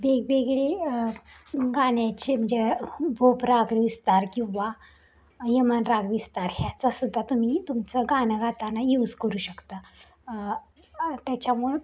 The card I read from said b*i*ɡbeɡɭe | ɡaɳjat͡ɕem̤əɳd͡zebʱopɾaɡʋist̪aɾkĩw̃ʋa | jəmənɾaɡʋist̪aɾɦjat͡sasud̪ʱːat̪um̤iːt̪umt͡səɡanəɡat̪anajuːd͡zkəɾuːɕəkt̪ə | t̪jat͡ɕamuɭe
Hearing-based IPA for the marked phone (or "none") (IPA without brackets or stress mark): e